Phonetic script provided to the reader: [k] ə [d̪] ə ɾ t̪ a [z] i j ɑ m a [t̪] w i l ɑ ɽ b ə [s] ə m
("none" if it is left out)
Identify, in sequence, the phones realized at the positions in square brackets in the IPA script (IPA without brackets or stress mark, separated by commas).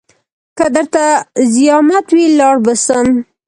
k, d̪, z, t̪, s